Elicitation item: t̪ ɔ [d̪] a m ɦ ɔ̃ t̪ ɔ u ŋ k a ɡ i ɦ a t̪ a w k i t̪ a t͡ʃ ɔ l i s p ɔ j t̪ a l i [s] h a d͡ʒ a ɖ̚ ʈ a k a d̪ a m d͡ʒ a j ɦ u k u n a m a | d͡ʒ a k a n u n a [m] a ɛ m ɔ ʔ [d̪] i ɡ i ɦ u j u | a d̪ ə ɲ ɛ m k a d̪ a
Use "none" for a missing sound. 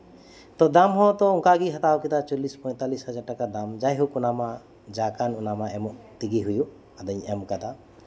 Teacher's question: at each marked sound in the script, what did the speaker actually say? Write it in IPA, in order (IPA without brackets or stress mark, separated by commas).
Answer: d̪, s, m, t̪